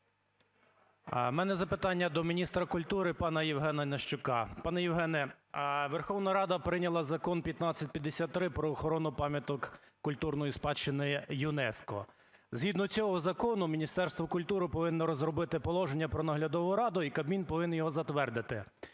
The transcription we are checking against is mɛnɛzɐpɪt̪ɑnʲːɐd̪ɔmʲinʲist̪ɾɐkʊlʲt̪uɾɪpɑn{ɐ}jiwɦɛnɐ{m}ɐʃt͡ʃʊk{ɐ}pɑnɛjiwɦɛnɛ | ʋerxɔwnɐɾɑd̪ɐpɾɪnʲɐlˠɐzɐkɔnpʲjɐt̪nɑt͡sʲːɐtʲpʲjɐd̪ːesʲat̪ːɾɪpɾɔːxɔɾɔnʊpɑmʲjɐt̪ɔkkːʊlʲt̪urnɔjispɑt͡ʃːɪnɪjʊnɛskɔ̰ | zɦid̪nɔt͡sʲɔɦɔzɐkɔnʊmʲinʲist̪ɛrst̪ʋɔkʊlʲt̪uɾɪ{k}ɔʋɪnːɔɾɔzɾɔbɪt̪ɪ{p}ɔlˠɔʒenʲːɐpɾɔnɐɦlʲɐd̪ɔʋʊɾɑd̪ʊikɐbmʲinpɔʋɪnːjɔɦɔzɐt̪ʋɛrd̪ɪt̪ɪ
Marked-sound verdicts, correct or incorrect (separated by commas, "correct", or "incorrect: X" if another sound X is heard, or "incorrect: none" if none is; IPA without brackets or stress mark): correct, incorrect: n, incorrect: ɑ, incorrect: p, correct